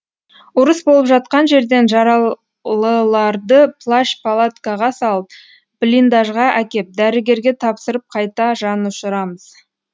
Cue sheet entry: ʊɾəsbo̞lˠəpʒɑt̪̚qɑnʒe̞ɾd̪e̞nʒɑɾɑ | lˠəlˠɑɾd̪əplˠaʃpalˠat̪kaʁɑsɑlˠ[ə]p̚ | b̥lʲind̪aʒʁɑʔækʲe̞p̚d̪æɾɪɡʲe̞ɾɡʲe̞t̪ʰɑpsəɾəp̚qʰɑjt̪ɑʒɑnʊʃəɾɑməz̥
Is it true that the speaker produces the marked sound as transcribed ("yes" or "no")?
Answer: yes